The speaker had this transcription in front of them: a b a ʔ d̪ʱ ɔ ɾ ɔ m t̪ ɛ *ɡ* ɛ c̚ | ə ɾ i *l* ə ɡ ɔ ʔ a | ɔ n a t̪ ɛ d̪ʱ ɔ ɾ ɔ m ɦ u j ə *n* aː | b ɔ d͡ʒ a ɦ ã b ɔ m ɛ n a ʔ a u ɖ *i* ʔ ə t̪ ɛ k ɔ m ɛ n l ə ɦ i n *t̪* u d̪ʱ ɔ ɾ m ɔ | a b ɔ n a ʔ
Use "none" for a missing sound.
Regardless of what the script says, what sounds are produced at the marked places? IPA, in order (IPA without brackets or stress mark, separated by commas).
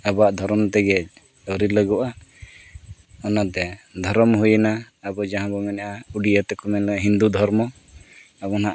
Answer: ɡ, l, n, i, d̪